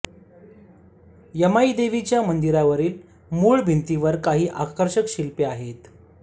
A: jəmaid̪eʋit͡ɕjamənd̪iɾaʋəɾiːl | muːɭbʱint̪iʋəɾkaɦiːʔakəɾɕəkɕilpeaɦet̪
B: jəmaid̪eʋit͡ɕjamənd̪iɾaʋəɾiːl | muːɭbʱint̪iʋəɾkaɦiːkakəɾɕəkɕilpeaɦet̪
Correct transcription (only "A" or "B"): A